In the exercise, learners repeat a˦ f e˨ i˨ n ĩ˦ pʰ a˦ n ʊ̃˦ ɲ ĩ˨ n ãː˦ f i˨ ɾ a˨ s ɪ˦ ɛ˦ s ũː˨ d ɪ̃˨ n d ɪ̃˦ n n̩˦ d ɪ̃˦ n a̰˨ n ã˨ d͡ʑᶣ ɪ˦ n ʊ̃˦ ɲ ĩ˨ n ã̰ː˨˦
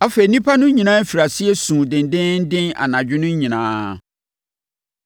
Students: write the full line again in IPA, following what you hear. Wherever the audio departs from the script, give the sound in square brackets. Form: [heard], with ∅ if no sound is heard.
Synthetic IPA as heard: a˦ f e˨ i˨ n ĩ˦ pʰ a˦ n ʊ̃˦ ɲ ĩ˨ n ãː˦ f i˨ ɾ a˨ s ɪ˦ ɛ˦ s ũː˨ d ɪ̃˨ n d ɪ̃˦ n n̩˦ d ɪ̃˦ n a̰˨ n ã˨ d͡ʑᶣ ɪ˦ n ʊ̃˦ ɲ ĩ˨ n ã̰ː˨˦

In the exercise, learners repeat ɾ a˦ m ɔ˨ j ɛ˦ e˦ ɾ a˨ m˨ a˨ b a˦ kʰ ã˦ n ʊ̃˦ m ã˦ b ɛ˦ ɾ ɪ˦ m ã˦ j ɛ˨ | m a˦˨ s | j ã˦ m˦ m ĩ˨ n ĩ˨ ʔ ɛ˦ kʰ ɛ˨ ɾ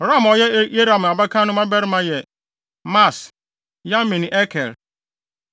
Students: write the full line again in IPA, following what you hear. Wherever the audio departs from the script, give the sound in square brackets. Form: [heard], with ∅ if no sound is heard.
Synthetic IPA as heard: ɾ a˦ m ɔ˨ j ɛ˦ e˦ ɾ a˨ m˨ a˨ b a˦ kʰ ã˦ n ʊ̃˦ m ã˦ b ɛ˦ ɾ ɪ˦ m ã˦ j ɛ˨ | m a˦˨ s | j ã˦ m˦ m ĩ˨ n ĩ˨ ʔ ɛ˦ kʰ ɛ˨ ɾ

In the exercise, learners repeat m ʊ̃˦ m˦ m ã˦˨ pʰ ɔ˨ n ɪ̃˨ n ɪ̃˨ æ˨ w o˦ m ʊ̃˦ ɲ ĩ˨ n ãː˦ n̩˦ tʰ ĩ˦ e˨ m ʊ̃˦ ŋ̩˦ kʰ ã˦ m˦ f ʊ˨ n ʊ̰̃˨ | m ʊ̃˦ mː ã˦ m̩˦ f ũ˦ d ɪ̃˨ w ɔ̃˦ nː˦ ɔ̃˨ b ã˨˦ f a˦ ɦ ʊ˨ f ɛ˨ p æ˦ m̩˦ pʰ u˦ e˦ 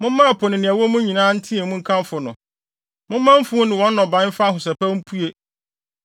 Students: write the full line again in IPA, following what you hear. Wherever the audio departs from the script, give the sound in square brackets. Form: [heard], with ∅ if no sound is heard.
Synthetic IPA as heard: m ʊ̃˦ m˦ m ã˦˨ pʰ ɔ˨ n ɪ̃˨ n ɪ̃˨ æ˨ w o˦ m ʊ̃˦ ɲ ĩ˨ n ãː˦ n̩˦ tʰ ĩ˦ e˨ m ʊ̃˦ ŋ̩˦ kʰ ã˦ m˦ f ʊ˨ n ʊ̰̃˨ | m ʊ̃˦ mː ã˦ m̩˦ f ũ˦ [n] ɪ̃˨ w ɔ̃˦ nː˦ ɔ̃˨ b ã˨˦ f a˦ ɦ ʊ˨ [s] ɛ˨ p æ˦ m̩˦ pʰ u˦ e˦

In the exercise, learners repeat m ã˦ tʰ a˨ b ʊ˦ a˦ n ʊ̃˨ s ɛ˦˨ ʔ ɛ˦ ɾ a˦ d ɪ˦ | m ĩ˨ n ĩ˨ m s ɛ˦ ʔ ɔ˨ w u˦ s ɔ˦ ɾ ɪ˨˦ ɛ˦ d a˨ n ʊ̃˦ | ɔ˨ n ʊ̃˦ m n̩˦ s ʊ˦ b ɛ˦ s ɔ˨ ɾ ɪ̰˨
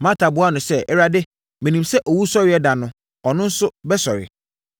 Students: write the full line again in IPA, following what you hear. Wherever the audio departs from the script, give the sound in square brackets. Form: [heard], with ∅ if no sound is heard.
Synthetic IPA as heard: m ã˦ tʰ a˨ b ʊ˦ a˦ n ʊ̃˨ s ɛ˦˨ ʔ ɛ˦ ɾ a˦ d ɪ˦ | m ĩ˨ n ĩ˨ m s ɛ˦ ʔ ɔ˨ w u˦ s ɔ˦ ɾ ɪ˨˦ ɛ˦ d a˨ n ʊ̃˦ | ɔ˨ n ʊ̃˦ [∅] n̩˦ s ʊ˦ b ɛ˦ s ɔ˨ ɾ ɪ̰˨

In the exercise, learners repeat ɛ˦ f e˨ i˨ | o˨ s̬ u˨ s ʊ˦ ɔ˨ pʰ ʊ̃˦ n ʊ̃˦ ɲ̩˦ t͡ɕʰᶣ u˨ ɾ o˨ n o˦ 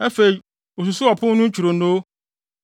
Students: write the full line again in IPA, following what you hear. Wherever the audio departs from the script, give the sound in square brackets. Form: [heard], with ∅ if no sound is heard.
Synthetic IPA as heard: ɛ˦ f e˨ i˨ | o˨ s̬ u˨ s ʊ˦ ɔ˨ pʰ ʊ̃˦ n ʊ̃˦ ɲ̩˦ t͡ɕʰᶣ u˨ ɾ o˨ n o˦

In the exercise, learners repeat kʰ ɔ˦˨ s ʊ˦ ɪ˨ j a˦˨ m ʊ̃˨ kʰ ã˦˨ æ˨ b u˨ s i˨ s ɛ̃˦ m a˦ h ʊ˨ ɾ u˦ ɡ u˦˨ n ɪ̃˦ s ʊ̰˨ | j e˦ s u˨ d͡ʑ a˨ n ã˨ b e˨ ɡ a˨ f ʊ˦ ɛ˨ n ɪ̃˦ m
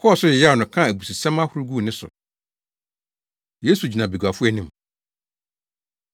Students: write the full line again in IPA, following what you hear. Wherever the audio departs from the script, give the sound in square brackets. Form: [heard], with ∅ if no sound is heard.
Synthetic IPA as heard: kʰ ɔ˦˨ s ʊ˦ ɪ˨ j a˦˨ [n] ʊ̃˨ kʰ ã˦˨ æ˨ b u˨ s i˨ s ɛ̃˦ m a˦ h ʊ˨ ɾ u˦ ɡ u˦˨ n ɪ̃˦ s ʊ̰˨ | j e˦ s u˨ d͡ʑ [i˨] n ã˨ b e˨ ɡ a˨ f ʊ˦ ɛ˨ n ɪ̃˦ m

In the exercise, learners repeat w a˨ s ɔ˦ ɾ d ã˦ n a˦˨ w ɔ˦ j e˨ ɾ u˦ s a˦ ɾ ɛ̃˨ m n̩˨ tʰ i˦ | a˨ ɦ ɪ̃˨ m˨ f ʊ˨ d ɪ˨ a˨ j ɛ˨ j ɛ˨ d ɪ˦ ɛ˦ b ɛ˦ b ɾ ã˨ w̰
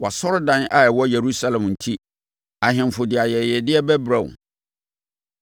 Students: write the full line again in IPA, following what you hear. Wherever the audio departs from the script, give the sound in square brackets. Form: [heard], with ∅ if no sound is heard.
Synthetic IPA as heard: w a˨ s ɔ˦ ɾ d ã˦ n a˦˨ w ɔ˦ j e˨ ɾ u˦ s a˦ [l] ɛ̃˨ m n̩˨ tʰ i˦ | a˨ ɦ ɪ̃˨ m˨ f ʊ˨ d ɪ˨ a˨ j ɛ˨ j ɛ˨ d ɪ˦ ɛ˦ b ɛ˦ b ɾ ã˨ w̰

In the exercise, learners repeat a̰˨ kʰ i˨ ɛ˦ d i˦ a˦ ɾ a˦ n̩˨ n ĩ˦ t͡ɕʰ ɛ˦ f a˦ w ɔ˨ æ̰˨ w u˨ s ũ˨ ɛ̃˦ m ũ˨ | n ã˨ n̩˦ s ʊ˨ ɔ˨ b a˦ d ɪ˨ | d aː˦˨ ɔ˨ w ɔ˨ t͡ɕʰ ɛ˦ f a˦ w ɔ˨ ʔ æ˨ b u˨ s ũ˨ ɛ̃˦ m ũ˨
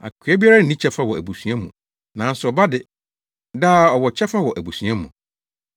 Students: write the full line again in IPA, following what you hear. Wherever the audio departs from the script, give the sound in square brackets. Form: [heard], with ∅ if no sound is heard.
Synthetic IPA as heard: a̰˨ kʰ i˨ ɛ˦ [b] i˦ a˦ ɾ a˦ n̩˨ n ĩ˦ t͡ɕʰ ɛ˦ f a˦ w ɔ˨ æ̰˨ [b] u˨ s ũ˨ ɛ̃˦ m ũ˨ | n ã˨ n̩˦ s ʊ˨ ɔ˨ b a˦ d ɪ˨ | d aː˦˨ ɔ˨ w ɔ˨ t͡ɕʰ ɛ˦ f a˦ w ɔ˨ ʔ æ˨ b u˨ s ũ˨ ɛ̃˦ m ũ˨

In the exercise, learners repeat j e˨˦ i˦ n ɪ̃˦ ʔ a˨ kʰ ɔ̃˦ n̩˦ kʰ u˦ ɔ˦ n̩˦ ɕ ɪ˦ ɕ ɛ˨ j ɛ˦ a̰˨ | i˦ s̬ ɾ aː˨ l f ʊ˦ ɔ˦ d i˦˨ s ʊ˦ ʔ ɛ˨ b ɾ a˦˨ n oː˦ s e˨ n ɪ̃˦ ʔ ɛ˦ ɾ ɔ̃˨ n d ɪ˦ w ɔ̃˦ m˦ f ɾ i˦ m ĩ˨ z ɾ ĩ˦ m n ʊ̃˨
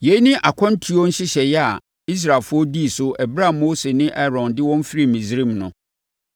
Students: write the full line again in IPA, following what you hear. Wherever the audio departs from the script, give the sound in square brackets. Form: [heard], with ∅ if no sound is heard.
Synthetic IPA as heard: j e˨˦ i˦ n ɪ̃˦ ʔ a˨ kʰ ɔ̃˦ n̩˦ [tʰ] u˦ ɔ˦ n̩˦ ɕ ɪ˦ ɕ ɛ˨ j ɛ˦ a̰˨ | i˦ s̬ ɾ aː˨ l f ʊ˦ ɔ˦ d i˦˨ s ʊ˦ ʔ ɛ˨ b ɾ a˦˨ [m] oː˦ s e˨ n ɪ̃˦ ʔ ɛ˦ ɾ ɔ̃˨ n d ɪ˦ w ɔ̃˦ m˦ f ɾ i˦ m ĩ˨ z ɾ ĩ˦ m n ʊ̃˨

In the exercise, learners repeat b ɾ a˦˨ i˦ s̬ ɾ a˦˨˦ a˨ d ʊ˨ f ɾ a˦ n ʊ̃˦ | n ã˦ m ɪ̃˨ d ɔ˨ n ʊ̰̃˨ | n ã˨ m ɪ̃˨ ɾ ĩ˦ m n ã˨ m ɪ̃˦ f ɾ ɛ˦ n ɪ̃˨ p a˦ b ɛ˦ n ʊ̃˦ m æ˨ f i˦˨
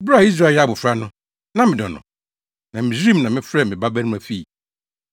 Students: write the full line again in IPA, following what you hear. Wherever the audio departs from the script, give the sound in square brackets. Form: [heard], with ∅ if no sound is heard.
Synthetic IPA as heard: b ɾ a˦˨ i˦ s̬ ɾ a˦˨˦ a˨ [b] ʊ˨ f ɾ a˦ n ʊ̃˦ | n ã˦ m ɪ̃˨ d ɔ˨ n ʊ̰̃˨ | n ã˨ m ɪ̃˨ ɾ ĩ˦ m n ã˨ m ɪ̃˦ f ɾ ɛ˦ [m] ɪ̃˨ [b] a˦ b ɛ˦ n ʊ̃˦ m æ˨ f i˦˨

